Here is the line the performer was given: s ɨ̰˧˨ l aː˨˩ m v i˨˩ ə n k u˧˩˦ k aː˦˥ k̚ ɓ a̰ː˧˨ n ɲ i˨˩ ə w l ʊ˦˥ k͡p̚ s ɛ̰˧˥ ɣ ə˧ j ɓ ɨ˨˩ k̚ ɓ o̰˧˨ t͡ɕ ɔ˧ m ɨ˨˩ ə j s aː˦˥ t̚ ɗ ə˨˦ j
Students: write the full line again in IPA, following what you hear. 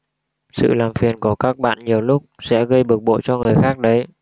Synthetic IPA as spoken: s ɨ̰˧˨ l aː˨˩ m f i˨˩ ə n k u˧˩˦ k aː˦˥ k̚ ɓ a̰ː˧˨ n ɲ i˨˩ ə w l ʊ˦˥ k͡p̚ s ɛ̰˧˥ ɣ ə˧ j ɓ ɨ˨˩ k̚ ɓ o̰˧˨ t͡ɕ ɔ˧ ŋ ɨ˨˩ ə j x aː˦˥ k̚ ɗ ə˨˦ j